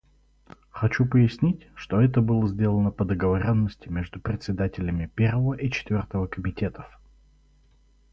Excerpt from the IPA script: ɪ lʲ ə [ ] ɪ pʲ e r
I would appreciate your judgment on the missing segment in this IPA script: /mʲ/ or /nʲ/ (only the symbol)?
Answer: mʲ